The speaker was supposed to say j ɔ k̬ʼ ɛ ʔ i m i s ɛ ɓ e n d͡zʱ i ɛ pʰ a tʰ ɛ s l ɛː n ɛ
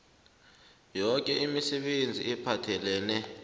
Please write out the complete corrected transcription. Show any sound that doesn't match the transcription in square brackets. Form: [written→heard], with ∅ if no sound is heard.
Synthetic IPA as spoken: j ɔ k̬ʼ ɛ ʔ i m i s ɛ ɓ e n d͡zʱ i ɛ pʰ a tʰ ɛ [s→∅] l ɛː n ɛ